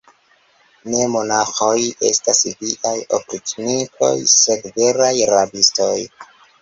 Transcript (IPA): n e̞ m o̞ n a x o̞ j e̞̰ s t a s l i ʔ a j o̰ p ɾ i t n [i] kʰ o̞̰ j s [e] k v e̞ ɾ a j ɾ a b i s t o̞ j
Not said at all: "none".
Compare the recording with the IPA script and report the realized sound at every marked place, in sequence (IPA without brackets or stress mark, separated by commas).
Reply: i, e